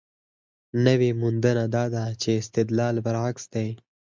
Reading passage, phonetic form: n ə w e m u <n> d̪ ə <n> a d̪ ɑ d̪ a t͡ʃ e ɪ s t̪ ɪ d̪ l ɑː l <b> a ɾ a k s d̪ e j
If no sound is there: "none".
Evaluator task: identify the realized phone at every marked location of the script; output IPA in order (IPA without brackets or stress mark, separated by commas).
n, n, b